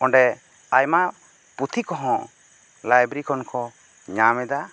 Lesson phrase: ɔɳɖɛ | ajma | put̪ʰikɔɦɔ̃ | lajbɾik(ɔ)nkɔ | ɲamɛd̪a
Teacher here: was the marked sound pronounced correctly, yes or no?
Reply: yes